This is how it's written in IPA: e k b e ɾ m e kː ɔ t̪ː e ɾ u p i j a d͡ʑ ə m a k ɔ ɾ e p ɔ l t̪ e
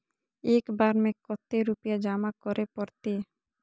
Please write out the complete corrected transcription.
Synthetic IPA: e k b a ɾ m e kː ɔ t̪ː e ɾ u p i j a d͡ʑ a m a k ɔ ɾ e p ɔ ɾ t̪ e